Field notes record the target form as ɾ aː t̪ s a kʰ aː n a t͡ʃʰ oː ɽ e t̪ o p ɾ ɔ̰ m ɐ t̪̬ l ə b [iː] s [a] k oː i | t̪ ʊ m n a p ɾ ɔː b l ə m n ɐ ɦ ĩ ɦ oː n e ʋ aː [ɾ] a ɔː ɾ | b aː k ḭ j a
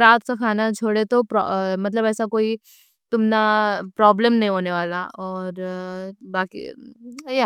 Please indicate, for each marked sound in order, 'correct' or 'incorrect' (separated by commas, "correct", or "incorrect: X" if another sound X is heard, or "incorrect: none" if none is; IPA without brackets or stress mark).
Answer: incorrect: ɛː, correct, incorrect: l